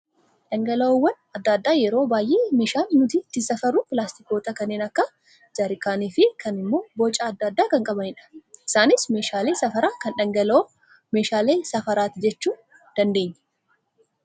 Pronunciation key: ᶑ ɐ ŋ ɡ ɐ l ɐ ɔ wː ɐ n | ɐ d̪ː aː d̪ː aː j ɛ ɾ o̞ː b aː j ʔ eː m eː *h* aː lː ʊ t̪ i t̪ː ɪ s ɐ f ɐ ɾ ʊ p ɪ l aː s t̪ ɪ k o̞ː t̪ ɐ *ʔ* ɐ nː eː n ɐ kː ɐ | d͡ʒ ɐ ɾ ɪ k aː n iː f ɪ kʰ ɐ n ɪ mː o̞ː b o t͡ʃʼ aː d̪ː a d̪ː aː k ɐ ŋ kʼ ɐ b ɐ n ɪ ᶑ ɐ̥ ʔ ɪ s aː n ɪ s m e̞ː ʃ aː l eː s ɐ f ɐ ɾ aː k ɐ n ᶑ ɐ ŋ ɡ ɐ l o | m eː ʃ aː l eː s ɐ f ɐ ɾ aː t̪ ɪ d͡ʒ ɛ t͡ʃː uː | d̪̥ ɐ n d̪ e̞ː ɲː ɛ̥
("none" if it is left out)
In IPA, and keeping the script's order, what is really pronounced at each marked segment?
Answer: ʃ, k

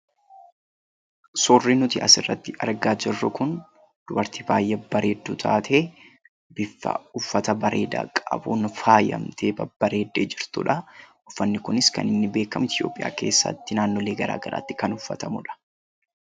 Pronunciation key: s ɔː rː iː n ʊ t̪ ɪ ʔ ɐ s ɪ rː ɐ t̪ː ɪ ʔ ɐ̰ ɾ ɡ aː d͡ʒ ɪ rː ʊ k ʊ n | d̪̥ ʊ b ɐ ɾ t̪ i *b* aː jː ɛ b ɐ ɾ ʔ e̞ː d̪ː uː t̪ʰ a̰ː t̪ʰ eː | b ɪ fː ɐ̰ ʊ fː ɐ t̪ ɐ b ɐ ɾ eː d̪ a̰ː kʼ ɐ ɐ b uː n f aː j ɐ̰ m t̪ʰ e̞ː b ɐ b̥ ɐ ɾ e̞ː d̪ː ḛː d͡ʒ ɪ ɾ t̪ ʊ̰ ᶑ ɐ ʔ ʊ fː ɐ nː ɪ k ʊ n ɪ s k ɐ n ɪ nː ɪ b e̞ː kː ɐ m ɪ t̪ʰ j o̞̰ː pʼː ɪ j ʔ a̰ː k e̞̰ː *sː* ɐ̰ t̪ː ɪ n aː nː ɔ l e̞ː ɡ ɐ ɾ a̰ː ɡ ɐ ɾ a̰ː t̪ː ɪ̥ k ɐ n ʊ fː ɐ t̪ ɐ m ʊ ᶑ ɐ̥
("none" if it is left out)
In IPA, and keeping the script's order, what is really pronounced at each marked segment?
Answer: b, sː

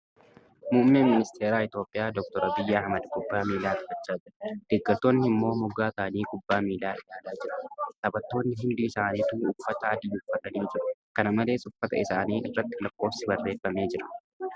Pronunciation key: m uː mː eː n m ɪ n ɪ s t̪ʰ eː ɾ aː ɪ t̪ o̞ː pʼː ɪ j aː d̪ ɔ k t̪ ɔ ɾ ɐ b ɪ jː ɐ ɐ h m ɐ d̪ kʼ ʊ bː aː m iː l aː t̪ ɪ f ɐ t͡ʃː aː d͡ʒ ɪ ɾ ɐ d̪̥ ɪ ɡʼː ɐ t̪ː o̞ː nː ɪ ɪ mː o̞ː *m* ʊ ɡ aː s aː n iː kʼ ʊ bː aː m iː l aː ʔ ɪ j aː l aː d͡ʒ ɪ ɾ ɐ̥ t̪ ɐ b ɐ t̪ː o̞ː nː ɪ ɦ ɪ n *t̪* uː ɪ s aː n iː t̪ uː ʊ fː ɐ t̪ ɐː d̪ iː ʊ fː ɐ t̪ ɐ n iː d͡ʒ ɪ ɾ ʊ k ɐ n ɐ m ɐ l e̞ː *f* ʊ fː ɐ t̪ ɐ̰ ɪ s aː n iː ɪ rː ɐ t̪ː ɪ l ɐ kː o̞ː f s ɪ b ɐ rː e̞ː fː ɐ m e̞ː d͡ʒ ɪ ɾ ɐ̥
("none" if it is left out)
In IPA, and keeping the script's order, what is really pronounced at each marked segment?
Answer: m, d̪, s

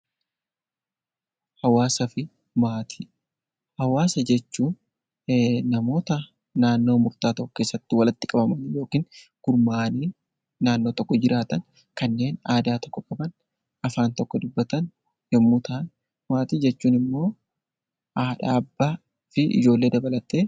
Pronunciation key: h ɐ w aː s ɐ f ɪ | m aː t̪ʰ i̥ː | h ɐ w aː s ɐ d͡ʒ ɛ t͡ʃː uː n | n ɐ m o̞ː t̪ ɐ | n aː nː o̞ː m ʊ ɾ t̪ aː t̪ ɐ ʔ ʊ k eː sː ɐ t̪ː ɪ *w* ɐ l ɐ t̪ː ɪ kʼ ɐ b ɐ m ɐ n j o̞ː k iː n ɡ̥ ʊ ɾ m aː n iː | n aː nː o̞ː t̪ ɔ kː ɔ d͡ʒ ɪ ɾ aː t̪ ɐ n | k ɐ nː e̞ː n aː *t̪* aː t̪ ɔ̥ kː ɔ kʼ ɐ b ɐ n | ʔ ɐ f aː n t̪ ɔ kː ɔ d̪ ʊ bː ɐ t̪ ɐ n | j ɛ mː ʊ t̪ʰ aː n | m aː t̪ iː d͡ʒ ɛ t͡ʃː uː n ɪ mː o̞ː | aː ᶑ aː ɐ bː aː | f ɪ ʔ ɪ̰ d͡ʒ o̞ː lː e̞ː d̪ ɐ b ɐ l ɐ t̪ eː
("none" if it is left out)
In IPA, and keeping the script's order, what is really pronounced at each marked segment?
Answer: w, d̪

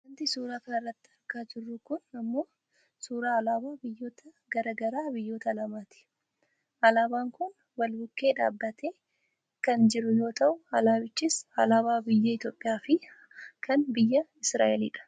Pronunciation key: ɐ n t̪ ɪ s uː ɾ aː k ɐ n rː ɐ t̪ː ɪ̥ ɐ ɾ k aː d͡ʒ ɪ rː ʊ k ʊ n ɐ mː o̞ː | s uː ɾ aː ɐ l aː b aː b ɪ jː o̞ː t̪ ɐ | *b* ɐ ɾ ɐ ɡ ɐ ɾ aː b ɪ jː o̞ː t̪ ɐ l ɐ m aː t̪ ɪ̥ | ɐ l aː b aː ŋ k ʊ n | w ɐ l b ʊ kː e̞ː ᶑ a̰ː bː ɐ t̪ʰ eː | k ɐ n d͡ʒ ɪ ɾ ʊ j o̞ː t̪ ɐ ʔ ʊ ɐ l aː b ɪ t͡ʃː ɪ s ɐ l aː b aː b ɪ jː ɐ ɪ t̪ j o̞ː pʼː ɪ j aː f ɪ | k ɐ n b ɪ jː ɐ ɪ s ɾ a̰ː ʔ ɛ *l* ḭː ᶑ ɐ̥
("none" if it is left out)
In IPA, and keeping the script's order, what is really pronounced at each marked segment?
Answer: ɡ, l

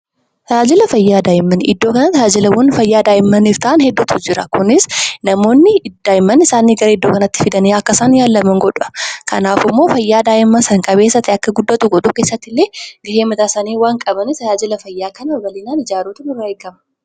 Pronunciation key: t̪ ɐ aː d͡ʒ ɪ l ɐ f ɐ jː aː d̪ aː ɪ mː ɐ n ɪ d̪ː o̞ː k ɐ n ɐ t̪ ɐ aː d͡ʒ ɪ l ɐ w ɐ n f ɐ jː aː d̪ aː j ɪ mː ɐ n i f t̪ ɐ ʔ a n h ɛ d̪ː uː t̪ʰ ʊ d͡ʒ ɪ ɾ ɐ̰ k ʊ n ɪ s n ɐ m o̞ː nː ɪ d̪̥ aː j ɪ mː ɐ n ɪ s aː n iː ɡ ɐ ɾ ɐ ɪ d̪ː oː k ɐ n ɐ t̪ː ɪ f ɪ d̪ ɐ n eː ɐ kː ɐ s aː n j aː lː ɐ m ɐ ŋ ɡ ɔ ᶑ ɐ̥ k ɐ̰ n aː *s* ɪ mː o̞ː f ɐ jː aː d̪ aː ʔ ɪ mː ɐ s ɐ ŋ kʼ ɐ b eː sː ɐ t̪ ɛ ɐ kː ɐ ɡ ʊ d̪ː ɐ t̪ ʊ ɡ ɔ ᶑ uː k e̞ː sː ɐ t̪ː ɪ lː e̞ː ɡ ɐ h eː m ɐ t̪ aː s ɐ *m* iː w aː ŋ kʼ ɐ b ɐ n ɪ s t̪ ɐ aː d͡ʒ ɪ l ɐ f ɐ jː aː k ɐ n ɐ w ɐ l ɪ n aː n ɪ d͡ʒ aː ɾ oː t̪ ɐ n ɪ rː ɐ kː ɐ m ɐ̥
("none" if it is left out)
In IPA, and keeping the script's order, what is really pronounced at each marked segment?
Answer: f, n

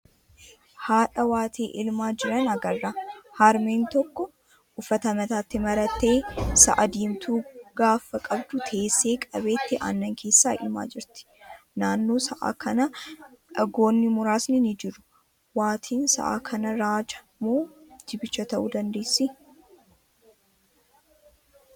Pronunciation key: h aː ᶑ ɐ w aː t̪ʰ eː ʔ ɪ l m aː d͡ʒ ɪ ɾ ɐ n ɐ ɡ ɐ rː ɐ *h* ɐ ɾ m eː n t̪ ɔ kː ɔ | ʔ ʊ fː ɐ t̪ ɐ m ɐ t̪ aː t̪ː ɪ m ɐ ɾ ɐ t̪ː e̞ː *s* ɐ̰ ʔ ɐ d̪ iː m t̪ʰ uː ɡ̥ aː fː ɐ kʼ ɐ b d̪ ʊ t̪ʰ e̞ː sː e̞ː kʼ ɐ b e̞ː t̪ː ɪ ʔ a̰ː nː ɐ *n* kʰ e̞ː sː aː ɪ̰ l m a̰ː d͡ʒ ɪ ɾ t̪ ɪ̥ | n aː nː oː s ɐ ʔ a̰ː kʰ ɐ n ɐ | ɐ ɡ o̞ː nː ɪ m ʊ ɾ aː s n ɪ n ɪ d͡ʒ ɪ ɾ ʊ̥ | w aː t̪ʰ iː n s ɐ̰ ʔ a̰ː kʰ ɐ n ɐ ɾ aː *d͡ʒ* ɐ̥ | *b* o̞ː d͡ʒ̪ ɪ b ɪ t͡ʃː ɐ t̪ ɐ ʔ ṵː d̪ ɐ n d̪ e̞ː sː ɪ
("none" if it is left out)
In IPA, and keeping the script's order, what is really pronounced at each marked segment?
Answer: h, s, ŋ, d͡ʒ, m

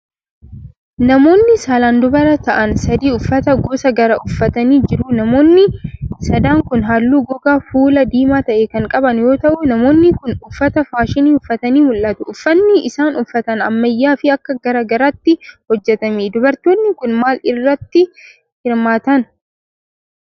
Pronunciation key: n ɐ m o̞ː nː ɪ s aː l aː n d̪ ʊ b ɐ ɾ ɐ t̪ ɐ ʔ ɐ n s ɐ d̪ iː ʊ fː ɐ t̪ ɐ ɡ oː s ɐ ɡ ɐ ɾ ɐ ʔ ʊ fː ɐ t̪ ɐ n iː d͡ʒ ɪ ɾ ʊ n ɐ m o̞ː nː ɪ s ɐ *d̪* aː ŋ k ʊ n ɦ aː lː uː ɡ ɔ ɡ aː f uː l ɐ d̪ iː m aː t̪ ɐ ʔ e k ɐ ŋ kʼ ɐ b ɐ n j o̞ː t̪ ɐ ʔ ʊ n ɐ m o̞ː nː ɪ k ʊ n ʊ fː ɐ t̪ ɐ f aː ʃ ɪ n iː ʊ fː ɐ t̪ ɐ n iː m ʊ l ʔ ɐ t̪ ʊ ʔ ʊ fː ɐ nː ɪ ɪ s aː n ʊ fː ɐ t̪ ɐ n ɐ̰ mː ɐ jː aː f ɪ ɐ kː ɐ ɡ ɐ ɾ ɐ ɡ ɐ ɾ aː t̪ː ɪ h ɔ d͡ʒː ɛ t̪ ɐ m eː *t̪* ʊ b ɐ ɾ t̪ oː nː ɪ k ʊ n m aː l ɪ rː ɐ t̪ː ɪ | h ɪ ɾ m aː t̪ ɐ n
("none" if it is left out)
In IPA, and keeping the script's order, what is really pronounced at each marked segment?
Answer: d̪, d̪

